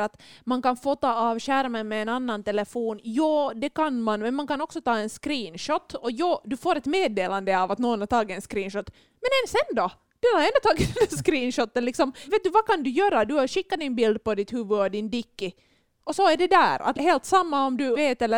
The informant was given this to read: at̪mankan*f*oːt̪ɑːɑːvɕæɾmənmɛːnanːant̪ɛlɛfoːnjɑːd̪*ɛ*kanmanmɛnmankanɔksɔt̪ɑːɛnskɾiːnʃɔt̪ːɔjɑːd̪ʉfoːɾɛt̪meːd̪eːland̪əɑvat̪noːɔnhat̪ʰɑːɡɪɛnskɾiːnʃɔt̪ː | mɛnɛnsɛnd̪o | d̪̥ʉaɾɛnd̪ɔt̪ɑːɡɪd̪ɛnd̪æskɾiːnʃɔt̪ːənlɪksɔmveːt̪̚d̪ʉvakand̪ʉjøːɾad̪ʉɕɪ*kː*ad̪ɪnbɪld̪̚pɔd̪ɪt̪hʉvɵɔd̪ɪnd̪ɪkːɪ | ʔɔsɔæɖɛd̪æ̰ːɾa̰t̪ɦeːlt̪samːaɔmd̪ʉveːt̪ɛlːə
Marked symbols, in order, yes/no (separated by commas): yes, yes, yes